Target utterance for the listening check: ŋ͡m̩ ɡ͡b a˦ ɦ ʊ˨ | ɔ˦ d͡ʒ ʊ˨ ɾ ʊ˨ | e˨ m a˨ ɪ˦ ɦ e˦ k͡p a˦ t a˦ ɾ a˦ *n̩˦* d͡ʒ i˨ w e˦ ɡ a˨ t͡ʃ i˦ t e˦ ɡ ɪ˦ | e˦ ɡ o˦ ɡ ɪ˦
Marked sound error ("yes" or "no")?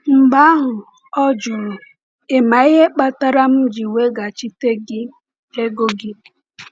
yes